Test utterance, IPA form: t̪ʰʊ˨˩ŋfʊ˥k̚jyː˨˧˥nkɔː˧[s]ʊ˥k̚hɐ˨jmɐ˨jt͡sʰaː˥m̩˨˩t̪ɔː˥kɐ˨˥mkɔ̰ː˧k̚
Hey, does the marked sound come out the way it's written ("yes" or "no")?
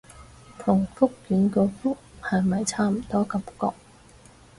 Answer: no